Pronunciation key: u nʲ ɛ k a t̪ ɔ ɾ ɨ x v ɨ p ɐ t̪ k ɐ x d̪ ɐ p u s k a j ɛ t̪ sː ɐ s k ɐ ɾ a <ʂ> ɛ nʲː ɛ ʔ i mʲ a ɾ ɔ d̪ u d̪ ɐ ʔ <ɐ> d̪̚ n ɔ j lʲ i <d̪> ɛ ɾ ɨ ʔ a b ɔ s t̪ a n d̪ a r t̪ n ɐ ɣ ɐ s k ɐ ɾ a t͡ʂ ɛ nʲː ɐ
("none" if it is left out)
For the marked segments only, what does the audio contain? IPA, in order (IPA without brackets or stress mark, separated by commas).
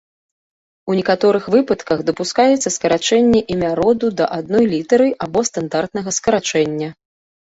t͡ʂ, a, t̪